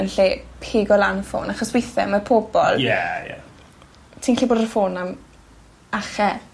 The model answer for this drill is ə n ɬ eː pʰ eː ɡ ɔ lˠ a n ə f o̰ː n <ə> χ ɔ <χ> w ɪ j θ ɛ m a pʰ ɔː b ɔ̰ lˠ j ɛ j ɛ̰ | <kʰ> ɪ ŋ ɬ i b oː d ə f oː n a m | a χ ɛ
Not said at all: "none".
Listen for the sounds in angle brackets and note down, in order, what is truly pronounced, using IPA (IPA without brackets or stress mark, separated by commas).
a, s, tʰ